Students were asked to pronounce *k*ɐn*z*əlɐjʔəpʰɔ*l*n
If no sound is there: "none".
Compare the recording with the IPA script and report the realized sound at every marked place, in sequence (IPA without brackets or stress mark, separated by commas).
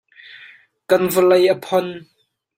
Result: k, v, none